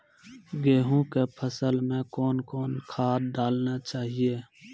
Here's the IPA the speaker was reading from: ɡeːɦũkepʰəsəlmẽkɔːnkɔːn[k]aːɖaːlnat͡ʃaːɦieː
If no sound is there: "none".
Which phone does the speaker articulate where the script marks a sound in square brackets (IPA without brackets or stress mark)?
kʰ